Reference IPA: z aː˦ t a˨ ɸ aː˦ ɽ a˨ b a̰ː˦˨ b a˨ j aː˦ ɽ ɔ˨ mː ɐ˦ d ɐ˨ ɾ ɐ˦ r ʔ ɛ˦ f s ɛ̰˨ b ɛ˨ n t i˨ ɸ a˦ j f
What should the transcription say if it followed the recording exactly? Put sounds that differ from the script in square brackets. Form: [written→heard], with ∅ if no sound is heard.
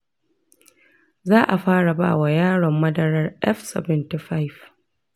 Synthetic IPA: z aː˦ [t→ʔ] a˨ ɸ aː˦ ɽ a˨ b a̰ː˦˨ [b→w] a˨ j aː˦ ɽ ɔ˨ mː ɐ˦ d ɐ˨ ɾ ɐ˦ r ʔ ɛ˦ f s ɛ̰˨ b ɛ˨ n t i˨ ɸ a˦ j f